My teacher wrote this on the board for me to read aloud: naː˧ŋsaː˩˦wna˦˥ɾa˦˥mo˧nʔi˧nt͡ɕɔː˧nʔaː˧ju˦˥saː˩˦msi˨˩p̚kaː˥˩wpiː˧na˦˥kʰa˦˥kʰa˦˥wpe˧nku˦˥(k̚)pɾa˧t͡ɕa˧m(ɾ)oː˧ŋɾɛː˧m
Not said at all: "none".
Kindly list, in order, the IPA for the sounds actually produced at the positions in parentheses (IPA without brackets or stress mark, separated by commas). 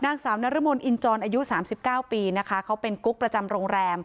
k̚, ɾ